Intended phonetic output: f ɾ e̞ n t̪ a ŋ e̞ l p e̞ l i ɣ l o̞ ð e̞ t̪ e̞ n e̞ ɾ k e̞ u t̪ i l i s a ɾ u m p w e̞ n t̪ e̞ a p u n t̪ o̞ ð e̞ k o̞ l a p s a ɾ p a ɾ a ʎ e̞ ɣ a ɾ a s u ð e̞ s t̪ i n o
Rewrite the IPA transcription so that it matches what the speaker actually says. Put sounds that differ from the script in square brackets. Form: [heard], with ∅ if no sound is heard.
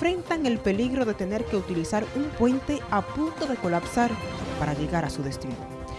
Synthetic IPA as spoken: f ɾ e̞ n t̪ a ŋ e̞ l p e̞ l i ɣ [ɾ] o̞ ð e̞ t̪ e̞ n e̞ ɾ k e̞ u t̪ i l i s a ɾ u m p w e̞ n t̪ e̞ a p u n t̪ o̞ ð e̞ k o̞ l a p s a ɾ p a ɾ a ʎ e̞ ɣ a ɾ a s u ð e̞ s t̪ i n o